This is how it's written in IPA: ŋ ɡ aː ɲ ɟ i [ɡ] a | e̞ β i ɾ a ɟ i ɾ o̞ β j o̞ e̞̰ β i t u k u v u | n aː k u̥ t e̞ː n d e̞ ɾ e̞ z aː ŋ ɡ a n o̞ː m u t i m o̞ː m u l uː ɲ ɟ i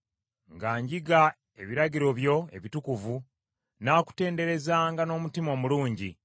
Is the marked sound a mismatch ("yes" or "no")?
no